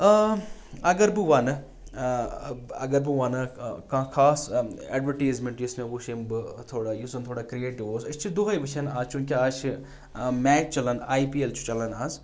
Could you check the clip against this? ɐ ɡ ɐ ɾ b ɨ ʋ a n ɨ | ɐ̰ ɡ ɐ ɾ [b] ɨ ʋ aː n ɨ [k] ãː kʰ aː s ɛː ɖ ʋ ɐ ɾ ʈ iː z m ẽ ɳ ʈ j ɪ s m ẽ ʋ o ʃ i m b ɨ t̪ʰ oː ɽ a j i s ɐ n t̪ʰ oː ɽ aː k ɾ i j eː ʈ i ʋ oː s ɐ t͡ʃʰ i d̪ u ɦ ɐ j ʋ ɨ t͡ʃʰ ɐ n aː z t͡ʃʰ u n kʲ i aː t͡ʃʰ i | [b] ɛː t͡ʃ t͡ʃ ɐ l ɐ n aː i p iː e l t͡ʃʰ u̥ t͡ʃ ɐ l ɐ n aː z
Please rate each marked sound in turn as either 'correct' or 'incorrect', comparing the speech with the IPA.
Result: correct, correct, incorrect

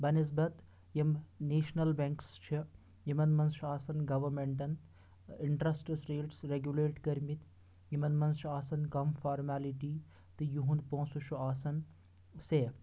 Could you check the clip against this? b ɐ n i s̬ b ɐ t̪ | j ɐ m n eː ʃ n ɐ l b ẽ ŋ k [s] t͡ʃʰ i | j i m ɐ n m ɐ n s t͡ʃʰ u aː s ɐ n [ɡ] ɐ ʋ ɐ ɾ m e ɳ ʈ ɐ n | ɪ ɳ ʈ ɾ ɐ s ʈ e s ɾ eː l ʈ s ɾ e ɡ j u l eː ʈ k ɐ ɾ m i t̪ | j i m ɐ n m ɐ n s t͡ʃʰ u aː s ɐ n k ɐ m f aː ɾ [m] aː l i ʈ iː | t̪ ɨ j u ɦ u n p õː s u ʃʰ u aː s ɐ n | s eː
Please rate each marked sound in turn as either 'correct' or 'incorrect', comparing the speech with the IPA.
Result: correct, correct, correct

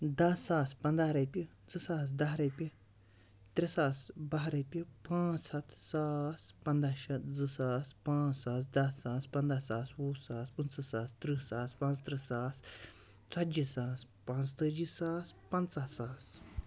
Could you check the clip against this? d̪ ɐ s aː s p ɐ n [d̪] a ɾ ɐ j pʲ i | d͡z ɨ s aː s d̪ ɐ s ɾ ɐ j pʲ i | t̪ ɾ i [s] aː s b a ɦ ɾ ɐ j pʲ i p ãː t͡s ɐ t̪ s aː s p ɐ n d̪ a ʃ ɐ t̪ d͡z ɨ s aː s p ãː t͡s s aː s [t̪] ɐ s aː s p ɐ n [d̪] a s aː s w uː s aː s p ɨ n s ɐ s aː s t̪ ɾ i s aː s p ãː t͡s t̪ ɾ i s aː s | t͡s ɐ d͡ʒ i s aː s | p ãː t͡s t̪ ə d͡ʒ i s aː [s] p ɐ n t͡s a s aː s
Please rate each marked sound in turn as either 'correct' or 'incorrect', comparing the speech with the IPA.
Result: correct, correct, incorrect, correct, correct

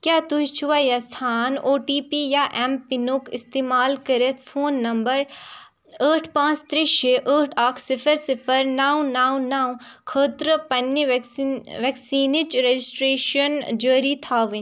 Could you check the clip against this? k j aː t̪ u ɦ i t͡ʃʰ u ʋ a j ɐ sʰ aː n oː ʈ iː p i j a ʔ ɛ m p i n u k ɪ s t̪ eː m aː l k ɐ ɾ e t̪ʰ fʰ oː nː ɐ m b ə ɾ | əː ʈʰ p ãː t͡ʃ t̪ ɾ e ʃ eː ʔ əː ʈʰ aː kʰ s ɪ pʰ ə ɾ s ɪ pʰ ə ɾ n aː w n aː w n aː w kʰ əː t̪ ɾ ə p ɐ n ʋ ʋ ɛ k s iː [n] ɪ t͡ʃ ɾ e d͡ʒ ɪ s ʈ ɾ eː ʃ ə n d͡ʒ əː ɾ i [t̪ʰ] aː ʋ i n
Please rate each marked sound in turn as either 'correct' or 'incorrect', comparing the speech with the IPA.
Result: correct, correct

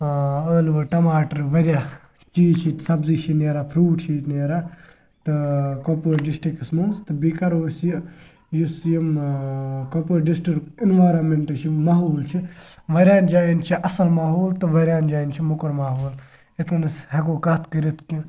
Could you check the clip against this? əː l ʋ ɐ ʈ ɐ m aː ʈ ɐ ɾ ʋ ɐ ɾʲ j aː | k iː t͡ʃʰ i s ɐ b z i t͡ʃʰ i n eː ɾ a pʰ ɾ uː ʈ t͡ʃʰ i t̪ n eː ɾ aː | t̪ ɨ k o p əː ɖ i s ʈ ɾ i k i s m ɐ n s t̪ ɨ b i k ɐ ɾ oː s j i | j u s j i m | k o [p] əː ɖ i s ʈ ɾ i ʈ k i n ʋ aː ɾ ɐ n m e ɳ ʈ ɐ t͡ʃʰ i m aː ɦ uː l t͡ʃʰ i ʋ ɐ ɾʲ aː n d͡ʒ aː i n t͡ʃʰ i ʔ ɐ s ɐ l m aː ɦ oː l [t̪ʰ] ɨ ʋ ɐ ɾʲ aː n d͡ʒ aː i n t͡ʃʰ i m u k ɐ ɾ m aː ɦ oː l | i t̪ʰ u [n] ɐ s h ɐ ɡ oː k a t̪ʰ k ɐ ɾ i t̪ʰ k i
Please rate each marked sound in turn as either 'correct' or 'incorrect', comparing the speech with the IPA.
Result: correct, incorrect, correct

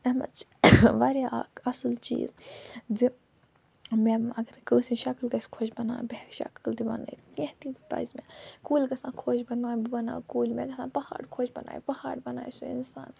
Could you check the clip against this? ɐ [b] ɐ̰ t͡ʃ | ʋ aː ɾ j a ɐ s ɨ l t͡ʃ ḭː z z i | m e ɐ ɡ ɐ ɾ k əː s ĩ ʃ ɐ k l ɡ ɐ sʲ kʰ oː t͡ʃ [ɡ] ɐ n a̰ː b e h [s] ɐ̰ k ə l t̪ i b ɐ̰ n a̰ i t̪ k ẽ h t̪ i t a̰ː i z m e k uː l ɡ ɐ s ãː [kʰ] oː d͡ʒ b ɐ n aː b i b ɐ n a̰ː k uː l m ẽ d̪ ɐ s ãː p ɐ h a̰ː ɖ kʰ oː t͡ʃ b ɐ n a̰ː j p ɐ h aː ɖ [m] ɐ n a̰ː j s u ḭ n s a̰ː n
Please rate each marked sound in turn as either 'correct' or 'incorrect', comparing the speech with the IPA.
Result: incorrect, incorrect, incorrect, correct, incorrect

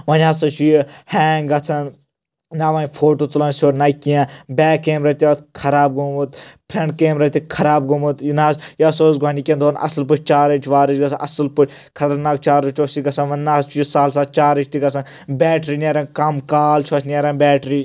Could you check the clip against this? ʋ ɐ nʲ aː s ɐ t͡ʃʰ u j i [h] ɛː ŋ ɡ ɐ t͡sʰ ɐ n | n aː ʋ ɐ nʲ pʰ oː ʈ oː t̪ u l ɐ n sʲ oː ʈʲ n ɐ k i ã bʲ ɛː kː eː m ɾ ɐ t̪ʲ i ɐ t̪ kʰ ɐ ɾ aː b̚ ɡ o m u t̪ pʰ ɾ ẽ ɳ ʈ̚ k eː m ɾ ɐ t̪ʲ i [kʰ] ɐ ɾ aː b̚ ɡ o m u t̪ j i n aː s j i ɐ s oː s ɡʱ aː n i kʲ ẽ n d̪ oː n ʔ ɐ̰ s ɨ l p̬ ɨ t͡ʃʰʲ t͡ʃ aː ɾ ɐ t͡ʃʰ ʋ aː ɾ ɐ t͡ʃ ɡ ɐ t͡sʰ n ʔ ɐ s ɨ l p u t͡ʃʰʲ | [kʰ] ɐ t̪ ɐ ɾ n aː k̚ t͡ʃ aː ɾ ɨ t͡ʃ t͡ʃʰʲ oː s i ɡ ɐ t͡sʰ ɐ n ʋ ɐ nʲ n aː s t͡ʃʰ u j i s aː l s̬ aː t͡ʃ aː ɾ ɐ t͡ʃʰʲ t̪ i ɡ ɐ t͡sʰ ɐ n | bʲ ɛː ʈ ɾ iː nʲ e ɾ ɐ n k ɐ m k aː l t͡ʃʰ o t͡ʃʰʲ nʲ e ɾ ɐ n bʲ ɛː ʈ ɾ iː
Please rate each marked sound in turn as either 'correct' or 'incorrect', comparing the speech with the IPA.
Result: correct, correct, correct

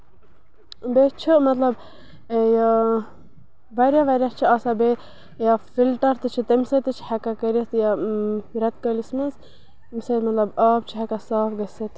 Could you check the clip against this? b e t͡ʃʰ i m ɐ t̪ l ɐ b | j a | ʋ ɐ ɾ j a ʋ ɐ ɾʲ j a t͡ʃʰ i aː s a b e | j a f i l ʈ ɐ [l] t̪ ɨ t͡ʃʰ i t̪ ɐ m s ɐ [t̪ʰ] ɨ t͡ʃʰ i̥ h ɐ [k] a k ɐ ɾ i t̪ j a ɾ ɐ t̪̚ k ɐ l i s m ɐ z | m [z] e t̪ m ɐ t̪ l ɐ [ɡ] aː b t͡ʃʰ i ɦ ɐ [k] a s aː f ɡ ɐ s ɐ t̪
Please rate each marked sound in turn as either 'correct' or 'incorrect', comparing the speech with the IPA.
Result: incorrect, incorrect, correct, incorrect, incorrect, correct

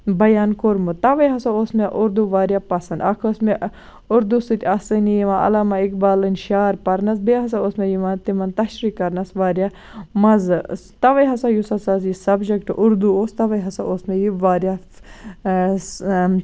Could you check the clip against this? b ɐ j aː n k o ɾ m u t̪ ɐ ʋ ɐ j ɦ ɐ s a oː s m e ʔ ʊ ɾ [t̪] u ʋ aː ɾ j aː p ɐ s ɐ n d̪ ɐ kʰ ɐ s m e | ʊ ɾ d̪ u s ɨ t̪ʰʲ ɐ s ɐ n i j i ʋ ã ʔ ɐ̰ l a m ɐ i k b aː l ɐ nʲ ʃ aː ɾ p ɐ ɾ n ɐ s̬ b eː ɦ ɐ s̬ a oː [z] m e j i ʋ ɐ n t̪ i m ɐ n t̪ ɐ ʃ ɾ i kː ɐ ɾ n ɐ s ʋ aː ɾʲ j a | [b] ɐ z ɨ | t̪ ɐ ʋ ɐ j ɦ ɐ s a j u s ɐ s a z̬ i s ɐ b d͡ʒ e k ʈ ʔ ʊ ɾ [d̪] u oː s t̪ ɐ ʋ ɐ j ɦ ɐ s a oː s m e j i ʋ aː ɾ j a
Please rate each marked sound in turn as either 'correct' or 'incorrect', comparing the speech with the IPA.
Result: incorrect, incorrect, incorrect, correct

